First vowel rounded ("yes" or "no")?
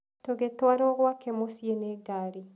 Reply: yes